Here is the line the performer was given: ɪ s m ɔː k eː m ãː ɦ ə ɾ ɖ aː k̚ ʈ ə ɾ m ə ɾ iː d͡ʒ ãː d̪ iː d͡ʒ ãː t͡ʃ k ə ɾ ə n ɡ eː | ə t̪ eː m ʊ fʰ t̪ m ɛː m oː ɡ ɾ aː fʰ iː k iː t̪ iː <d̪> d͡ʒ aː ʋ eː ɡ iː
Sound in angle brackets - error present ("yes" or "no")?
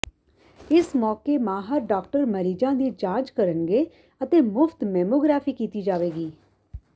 yes